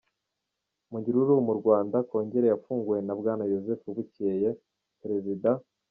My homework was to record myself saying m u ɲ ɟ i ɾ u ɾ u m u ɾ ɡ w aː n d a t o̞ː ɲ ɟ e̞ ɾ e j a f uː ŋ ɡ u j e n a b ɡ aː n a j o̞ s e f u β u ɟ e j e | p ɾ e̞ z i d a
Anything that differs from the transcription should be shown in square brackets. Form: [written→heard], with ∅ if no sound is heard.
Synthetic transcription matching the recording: m u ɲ ɟ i ɾ u ɾ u m u ɾ ɡ w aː n d a [t→k] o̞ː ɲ ɟ e̞ ɾ e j a f uː ŋ ɡ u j e n a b ɡ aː n a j o̞ [s→z] e f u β u [ɟ→c] e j e | p ɾ e̞ z i d a